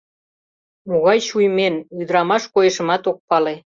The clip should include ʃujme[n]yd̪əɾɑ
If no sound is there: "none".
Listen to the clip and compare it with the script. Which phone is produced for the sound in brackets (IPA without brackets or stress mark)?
n